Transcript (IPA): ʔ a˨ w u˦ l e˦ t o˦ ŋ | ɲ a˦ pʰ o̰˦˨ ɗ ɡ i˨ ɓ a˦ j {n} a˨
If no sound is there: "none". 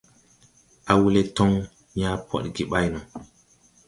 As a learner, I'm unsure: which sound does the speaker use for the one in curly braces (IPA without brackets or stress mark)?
n